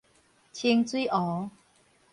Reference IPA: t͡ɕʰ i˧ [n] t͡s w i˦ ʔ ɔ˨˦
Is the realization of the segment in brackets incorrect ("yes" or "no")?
yes